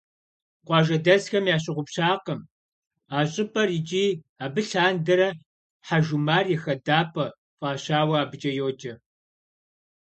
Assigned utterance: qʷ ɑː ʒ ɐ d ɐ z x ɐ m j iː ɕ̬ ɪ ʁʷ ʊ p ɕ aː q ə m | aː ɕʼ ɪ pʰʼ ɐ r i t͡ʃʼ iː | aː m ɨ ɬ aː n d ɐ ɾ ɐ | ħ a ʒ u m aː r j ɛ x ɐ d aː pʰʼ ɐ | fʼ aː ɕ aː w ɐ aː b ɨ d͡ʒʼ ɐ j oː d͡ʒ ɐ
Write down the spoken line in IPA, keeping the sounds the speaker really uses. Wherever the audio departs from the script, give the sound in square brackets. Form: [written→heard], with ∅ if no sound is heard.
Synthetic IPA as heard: qʷ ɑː ʒ ɐ d ɐ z x ɐ m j [iː→aː] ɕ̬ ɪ ʁʷ ʊ p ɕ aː q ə m | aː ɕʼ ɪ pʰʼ ɐ r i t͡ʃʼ iː | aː [m→b] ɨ ɬ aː n d ɐ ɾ ɐ | ħ a ʒ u m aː r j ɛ x ɐ d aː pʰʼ ɐ | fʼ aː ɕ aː w ɐ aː b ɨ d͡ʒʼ ɐ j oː d͡ʒ ɐ